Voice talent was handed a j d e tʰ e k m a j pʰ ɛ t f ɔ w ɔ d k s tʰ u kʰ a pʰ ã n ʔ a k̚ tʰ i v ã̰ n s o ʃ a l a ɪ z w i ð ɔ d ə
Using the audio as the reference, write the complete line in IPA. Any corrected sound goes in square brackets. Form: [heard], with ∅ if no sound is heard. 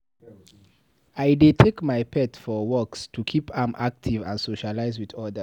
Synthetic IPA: a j d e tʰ e k m a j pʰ ɛ t f ɔ w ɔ [∅] k s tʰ u kʰ [i] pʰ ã [m] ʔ a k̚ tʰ i v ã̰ n s o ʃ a l a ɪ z w i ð ɔ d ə